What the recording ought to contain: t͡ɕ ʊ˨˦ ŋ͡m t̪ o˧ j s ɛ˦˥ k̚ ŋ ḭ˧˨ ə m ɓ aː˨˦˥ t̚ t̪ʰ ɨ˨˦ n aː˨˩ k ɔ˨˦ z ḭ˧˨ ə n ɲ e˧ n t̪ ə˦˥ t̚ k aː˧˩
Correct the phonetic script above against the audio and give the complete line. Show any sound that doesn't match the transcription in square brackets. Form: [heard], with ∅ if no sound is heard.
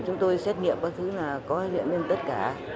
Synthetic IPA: t͡ɕ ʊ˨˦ ŋ͡m t̪ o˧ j s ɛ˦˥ [t̚] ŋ ḭ˧˨ ə m ɓ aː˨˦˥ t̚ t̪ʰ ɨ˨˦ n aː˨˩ k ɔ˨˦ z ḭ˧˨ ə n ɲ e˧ n t̪ ə˦˥ t̚ k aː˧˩

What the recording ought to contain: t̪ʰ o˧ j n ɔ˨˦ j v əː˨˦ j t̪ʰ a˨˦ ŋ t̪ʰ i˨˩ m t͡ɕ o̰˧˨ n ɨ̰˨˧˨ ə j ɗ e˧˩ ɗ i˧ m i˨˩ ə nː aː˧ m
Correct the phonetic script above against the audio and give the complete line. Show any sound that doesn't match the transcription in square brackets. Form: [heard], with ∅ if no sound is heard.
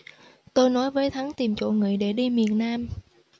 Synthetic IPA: [t̪] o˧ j n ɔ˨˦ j v əː˨˦ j t̪ʰ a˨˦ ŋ [t̪] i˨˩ m t͡ɕ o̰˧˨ [ŋ] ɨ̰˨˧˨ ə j ɗ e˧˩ ɗ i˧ m i˨˩ ə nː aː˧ m

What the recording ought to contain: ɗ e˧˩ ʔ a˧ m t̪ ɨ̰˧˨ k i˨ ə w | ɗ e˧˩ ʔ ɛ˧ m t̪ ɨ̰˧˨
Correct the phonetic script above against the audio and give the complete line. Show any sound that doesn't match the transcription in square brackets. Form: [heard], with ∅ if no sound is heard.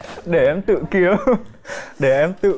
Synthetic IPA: ɗ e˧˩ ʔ [ɛ˧] m t̪ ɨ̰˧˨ k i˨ ə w | ɗ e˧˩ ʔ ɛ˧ m t̪ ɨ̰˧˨

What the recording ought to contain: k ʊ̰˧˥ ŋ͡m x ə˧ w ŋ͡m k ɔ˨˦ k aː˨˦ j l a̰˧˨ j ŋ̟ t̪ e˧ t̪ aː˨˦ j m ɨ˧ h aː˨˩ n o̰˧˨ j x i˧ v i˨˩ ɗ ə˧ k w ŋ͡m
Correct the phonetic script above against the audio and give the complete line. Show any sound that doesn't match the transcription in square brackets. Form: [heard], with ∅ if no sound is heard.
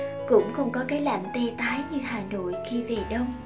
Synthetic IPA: k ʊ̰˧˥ ŋ͡m x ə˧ w ŋ͡m k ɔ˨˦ k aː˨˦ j l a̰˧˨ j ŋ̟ t̪ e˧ t̪ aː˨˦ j [ɲ] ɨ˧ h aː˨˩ n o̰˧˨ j x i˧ v [e˨˩] ɗ ə˧ [∅] w ŋ͡m

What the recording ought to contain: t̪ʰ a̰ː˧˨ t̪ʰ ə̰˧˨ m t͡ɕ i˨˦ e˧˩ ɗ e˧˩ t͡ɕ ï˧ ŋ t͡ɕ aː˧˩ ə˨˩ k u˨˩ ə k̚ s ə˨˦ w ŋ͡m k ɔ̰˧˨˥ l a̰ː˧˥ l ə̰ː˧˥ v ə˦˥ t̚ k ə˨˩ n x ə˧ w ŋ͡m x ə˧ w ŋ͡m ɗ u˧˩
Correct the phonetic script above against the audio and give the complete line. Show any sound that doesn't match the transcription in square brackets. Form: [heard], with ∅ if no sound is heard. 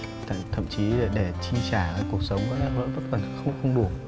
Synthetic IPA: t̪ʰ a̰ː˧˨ t̪ʰ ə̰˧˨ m t͡ɕ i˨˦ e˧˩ ɗ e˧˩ t͡ɕ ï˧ ŋ t͡ɕ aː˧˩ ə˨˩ k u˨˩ ə k̚ s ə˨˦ w ŋ͡m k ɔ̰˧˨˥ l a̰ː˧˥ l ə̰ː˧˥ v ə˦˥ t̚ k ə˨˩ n x ə˧ w ŋ͡m x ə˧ w ŋ͡m ɗ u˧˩

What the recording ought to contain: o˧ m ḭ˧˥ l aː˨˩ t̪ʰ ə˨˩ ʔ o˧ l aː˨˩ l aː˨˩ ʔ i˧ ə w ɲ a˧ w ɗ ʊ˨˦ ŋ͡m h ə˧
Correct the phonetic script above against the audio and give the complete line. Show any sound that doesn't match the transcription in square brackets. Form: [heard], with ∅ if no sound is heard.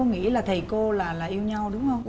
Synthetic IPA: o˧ [ŋ] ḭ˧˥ l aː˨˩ t̪ʰ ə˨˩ [k] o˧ l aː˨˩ l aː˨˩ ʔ i˧ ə w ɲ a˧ w ɗ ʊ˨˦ ŋ͡m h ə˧

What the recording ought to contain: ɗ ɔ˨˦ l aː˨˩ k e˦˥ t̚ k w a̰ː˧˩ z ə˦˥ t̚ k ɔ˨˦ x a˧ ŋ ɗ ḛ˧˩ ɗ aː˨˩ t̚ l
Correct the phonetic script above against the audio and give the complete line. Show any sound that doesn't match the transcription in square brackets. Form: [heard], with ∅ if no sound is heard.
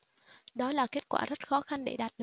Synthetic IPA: ɗ ɔ˨˦ l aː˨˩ k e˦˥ t̚ k w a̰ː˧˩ z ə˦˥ t̚ [x] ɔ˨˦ x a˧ [n] ɗ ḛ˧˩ ɗ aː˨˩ t̚ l

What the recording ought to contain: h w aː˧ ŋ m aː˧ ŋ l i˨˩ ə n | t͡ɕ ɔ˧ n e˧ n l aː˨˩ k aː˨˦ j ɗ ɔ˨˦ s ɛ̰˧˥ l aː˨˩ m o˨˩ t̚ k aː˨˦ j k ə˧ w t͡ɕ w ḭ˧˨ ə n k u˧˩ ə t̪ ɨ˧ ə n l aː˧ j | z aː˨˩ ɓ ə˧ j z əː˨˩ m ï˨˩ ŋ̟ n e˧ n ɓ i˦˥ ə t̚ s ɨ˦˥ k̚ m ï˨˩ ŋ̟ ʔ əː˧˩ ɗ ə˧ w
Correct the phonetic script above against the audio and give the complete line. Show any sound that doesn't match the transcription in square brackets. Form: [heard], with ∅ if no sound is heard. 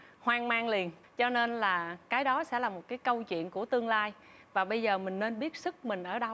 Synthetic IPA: h w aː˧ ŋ m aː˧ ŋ l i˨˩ ə n | t͡ɕ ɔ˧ n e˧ n l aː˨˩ k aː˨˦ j ɗ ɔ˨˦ s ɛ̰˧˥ l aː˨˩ m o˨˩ t̚ k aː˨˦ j k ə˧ w t͡ɕ w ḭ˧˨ ə n k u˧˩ ə t̪ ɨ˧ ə [ŋ] l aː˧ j | [v] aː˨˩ ɓ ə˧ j z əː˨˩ m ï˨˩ ŋ̟ n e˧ n ɓ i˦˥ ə t̚ s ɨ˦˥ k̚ m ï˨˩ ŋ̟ ʔ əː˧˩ ɗ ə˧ w

